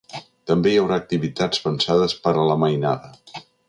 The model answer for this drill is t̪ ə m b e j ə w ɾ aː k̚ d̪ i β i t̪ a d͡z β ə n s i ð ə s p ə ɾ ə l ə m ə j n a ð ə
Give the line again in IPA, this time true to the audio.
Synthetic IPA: t̪ ə m b e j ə w ɾ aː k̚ t̪ i β i t̪ a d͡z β ə n s a ð ə s p ə ɾ ə l ə m ə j n a ð ə